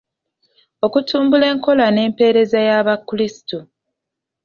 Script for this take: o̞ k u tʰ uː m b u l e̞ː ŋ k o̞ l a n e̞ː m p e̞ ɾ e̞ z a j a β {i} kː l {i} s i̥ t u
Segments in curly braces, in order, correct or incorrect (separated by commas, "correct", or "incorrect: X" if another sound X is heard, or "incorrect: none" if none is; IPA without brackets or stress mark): incorrect: a, correct